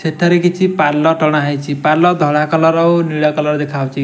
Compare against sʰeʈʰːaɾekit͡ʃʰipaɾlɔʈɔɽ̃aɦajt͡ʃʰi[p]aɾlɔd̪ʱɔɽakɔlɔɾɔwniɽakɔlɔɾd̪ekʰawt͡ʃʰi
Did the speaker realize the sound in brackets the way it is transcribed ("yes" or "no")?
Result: yes